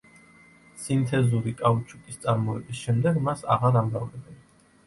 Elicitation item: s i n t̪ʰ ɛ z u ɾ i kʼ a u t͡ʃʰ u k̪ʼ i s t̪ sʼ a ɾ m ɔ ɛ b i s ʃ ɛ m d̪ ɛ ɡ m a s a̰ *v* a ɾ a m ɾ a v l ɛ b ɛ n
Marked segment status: incorrect: ʁ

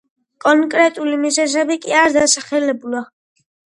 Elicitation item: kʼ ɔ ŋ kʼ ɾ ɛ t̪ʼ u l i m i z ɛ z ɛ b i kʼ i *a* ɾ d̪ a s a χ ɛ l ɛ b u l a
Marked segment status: correct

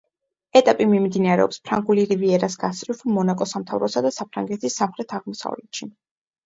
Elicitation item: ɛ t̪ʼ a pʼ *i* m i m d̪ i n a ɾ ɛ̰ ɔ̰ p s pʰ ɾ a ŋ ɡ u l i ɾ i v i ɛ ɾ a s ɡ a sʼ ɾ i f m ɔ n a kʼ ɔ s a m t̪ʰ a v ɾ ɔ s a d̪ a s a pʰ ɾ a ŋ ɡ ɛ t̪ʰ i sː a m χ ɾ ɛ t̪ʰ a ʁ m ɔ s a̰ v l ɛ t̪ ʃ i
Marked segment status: correct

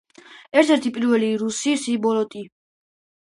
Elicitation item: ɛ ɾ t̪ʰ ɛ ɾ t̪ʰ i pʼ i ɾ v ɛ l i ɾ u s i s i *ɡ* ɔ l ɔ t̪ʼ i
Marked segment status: incorrect: b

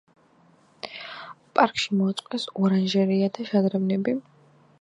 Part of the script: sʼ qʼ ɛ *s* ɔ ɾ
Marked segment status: correct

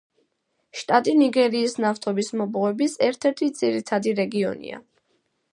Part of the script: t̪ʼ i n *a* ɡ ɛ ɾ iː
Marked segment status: incorrect: i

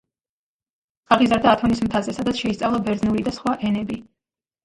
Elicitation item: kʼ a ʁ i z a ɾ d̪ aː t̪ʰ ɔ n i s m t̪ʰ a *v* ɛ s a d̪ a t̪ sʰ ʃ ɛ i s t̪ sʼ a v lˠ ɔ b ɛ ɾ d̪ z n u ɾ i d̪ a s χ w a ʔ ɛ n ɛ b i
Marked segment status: incorrect: z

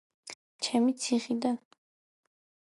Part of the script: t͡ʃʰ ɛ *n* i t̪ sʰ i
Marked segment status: incorrect: m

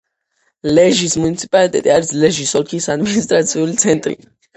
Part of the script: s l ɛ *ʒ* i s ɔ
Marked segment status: correct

